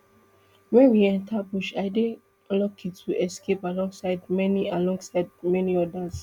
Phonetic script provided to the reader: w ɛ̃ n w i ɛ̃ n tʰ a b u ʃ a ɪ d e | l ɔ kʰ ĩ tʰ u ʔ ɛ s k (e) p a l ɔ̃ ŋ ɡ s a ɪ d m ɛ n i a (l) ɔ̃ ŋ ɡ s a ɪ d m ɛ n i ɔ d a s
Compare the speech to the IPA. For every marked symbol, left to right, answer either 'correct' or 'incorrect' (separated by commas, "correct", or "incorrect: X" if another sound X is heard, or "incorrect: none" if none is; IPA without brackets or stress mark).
correct, correct